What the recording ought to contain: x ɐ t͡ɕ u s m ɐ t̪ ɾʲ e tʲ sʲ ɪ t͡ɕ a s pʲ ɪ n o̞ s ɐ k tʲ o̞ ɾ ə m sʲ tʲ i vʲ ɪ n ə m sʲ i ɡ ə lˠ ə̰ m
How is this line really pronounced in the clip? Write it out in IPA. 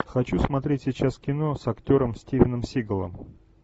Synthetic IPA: x ɐ t͡ɕ u s m ɐ t̪ ɾʲ e tʲ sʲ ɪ t͡ɕ a s kʲ ɪ n o̞ s ɐ k tʲ o̞ ɾ ə m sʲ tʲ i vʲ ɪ n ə m sʲ i ɡ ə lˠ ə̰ m